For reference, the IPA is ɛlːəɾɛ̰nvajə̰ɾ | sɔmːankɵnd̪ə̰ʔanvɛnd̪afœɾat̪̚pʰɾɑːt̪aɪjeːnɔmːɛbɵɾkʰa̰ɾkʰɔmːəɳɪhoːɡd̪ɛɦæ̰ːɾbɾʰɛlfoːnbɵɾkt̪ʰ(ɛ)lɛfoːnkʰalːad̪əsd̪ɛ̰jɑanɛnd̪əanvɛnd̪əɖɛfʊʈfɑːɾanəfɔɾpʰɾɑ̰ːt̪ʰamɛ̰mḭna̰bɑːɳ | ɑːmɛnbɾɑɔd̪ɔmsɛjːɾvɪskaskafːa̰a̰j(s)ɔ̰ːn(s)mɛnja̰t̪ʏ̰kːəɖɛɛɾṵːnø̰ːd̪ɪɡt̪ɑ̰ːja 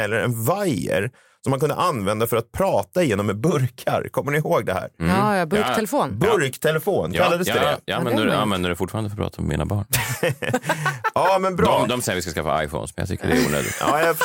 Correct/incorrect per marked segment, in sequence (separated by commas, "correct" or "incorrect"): correct, incorrect, correct